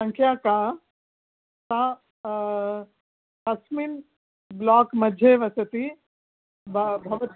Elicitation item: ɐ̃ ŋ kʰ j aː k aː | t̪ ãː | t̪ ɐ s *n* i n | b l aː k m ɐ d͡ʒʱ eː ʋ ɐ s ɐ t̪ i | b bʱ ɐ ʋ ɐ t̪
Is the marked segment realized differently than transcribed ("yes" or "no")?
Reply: yes